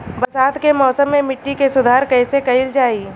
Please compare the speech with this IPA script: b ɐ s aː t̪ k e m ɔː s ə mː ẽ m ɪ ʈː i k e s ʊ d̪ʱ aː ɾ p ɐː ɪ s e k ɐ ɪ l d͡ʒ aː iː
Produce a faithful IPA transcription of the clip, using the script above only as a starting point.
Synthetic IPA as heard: b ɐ s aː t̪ k e m ɔː s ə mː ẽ m ɪ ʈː i k e s ʊ d̪ʱ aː ɾ k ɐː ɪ s e k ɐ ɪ l d͡ʒ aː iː